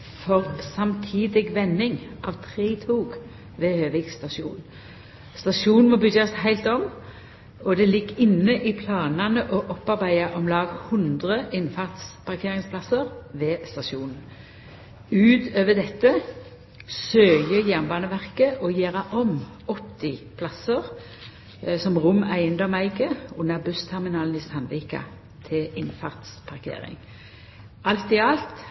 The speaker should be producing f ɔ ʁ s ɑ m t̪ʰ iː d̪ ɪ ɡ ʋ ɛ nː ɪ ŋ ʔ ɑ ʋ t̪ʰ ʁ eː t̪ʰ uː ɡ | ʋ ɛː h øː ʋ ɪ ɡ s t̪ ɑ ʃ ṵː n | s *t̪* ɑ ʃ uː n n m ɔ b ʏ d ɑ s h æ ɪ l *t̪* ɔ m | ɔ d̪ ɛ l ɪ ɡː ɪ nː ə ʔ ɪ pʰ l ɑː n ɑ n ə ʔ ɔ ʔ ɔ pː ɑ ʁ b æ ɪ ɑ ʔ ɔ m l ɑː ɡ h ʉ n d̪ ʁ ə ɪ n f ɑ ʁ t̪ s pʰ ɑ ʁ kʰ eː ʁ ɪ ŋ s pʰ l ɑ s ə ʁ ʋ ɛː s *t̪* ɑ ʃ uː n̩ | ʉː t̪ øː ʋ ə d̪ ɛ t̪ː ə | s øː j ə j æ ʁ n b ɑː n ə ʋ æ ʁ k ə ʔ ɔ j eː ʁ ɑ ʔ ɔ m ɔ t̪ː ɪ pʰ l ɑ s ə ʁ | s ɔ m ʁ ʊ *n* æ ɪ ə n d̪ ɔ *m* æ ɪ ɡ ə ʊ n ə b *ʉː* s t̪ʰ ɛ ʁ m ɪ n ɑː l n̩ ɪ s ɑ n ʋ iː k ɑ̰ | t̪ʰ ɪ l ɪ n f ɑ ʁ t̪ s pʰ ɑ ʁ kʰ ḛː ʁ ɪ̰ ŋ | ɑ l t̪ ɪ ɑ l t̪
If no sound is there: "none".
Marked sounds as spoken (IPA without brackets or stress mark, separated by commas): t̪, t̪, t̪, m, m, ʉ